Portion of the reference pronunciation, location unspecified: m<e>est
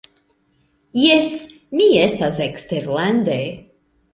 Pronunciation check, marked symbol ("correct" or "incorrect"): incorrect